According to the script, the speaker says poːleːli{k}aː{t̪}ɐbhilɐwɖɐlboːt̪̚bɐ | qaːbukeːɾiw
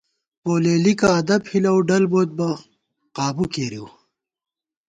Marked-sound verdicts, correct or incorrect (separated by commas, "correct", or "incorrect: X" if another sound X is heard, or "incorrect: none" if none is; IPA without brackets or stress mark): correct, incorrect: d̪